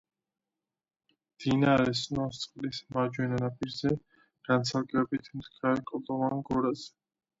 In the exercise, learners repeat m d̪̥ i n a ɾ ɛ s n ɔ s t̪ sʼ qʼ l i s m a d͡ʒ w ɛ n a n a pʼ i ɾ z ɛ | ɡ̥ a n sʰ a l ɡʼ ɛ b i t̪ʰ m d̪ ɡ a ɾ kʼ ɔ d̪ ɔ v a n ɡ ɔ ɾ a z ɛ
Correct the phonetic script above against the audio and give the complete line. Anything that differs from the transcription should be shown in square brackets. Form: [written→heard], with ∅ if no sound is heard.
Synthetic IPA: m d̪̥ i n a ɾ ɛ s n ɔ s t̪ sʼ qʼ l i s m a d͡ʒ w ɛ n a n a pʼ i ɾ z ɛ | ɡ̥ a n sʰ a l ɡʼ ɛ b i t̪ʰ m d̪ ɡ a ɾ kʼ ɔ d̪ ɔ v a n ɡ ɔ ɾ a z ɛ

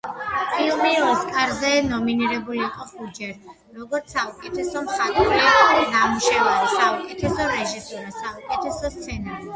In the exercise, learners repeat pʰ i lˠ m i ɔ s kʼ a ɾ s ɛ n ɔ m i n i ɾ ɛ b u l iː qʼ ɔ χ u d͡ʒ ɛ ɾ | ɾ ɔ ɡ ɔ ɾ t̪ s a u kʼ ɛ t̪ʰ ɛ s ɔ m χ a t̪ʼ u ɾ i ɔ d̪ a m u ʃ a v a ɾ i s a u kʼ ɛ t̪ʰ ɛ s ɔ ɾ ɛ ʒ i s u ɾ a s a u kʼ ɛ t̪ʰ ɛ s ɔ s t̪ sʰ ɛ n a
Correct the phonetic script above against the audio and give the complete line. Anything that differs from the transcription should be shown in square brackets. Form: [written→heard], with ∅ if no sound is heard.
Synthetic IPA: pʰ i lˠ m i ɔ s kʼ a ɾ [s→z] ɛ n ɔ m i n i ɾ ɛ b u l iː qʼ ɔ χ u d͡ʒ ɛ ɾ | ɾ ɔ ɡ ɔ ɾ t̪ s a u kʼ ɛ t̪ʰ ɛ s ɔ m χ a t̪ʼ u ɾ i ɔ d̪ a m u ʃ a v a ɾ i s a u kʼ ɛ t̪ʰ ɛ s ɔ ɾ ɛ ʒ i s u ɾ a s a u kʼ ɛ t̪ʰ ɛ s ɔ s t̪ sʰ ɛ n a

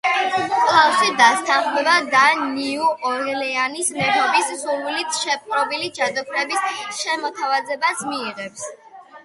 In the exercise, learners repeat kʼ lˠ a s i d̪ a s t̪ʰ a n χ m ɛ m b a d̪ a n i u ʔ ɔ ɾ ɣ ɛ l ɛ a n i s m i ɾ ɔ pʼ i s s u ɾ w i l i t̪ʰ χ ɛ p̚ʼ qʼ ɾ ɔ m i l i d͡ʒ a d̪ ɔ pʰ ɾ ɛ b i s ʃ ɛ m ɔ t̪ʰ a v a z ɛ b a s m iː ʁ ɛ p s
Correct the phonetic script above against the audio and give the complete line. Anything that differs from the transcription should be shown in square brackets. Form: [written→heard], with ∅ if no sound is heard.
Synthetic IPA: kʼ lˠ a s i d̪ a s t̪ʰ a n χ m ɛ [m→∅] b a d̪ a n i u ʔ ɔ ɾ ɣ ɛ l ɛ a n i s m [i→ɛ] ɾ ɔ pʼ i s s u ɾ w i l i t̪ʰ [χ→ʃ] ɛ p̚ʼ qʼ ɾ ɔ [m→b] i l i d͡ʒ a d̪ ɔ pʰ ɾ ɛ b i s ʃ ɛ m ɔ t̪ʰ a v a z ɛ b a s m iː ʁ ɛ p s

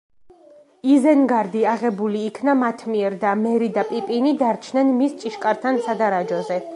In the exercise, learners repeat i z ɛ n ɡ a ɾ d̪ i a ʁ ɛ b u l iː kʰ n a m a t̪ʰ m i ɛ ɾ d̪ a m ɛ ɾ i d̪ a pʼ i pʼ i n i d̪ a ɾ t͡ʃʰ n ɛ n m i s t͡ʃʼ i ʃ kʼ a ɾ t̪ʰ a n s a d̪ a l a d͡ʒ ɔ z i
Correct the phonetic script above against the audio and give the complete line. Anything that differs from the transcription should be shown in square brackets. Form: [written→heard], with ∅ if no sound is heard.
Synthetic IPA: i z ɛ n ɡ a ɾ d̪ i a ʁ ɛ b u l iː kʰ n a m a t̪ʰ m i ɛ ɾ d̪ a m ɛ ɾ i d̪ a pʼ i pʼ i n i d̪ a ɾ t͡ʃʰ n ɛ n m i s t͡ʃʼ i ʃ kʼ a ɾ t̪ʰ a n s a d̪ a [l→ɾ] a d͡ʒ ɔ z [i→ɛ]

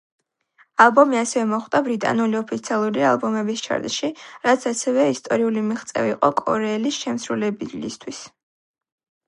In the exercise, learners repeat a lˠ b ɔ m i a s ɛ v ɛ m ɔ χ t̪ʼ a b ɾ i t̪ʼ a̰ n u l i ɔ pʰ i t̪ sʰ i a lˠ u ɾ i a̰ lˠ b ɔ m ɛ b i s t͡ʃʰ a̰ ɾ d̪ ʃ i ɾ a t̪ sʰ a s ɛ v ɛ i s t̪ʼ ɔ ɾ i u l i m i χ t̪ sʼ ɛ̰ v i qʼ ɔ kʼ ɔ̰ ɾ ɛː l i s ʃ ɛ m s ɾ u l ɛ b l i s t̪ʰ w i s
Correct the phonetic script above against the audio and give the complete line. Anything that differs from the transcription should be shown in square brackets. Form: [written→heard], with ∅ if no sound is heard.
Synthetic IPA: a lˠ b ɔ m i a s ɛ v ɛ m ɔ χ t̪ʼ a b ɾ i t̪ʼ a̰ n u l i ɔ pʰ i t̪ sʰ i a lˠ u ɾ i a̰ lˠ b ɔ m ɛ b i s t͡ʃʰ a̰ ɾ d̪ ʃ i ɾ a t̪ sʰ a s ɛ v ɛ i s t̪ʼ ɔ ɾ i u l i m i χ t̪ sʼ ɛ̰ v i qʼ ɔ kʼ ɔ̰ ɾ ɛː l i s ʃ ɛ m s ɾ u l ɛ b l i s t̪ʰ w i s

